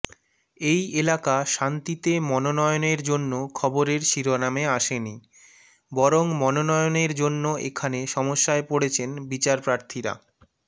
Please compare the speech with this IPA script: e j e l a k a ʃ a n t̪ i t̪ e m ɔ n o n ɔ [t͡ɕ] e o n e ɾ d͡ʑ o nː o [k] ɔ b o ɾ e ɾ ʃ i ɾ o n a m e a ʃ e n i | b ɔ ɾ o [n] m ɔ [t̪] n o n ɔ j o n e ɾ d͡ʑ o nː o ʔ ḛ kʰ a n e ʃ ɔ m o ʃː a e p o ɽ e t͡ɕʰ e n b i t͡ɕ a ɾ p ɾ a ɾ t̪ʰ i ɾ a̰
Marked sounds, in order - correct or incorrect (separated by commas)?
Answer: incorrect, incorrect, incorrect, incorrect